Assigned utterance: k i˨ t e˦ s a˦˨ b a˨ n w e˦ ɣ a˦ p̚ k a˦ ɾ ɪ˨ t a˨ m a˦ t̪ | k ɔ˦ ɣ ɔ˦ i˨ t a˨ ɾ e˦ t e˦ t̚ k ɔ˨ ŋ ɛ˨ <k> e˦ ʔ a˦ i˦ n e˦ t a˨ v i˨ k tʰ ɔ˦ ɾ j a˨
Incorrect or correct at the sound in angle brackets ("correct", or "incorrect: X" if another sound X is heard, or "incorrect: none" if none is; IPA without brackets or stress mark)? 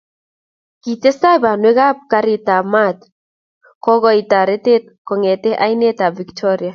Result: incorrect: t